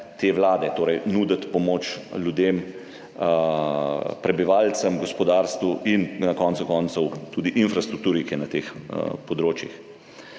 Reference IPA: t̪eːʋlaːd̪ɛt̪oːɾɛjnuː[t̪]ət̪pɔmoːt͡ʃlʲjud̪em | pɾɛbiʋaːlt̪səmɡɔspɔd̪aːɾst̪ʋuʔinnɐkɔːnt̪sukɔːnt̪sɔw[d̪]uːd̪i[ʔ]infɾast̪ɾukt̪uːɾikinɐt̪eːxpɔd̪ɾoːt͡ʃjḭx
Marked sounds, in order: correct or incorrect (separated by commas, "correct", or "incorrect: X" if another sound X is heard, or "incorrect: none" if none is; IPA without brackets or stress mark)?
incorrect: d̪, incorrect: t̪, correct